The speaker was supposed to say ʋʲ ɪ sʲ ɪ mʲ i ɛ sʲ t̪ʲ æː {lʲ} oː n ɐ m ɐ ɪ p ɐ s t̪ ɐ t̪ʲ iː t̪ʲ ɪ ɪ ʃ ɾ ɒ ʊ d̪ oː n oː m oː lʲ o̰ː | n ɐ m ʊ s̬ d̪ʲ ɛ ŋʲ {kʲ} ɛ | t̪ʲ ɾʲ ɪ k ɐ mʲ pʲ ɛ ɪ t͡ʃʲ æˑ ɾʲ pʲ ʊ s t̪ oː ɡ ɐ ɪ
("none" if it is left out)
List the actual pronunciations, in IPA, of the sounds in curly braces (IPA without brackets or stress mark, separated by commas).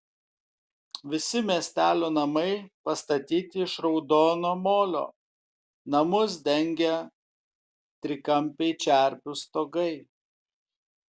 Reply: lʲ, ɡʲ